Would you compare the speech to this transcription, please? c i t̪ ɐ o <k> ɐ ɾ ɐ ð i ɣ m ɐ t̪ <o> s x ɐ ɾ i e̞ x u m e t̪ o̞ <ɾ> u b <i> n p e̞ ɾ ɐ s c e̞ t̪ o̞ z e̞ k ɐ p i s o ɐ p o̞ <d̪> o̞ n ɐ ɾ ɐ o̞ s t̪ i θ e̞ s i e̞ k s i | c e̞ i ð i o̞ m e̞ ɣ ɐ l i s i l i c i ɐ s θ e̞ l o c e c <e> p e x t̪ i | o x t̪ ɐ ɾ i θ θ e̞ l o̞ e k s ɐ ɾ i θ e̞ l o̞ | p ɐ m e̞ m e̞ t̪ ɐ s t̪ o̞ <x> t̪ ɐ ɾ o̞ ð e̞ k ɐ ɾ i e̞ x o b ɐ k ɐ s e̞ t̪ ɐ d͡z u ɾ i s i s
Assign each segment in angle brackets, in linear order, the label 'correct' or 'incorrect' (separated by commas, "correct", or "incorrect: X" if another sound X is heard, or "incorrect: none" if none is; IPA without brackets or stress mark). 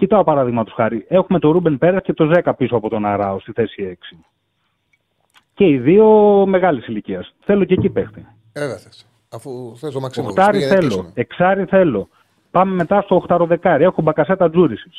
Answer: incorrect: p, correct, correct, incorrect: e, incorrect: t̪, incorrect: i, correct